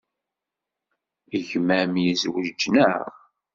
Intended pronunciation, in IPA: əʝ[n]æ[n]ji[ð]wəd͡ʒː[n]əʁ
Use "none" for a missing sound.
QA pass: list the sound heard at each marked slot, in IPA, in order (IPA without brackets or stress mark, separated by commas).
m, m, z, n